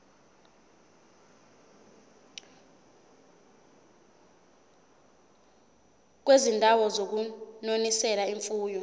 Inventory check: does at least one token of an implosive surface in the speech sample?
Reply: no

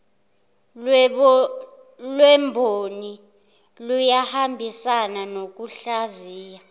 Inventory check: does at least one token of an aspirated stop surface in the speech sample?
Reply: no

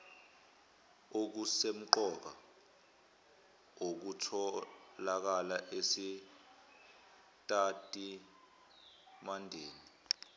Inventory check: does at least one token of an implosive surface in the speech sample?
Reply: no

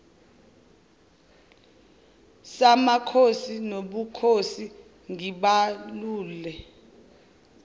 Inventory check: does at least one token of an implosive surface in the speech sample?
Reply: yes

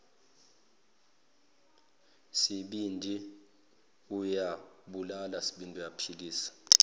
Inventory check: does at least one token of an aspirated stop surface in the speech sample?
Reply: yes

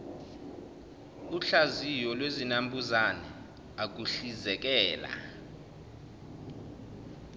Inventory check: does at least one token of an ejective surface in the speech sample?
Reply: no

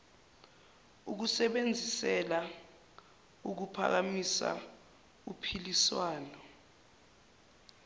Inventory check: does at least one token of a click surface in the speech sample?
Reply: no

